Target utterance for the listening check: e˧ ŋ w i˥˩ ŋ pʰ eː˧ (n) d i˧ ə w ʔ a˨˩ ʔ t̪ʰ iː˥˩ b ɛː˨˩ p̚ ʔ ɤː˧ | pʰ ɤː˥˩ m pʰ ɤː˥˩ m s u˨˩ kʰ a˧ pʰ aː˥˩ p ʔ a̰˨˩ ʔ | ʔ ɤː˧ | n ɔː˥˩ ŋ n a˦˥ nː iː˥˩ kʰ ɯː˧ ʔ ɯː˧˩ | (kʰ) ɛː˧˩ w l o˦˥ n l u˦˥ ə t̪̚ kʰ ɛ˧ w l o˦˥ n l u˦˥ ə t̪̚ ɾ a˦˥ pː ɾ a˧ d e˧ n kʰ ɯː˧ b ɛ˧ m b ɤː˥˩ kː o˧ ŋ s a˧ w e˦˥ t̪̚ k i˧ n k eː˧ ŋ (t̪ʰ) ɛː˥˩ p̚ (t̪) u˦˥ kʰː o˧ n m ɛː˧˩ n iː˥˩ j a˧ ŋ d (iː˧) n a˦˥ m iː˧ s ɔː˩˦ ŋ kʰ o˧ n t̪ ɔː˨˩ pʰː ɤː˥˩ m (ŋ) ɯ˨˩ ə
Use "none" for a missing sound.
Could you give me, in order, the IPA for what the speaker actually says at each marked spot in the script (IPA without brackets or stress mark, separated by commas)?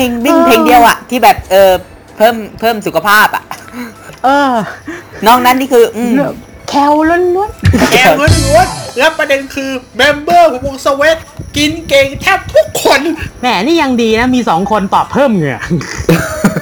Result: ŋ, kʰ, t̪ʰ, t̪ʰ, iː˧, ŋ